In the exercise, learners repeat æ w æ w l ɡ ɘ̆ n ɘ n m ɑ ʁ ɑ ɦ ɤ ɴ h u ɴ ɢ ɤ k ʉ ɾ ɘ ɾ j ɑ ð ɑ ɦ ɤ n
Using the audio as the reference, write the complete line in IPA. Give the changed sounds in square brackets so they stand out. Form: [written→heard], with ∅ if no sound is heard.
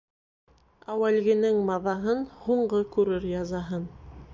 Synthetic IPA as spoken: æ w æ [w→∅] l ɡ ɘ̆ n ɘ [n→ŋ] m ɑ [ʁ→ð] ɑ ɦ ɤ [ɴ→n] h u ɴ ɢ ɤ k ʉ ɾ ɘ ɾ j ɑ [ð→z] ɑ ɦ ɤ n